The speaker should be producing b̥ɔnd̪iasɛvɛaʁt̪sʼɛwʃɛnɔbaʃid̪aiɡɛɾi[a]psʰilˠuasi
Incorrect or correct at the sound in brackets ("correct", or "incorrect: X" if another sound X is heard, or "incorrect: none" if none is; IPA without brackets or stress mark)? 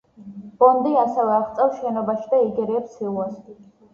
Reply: incorrect: ɛ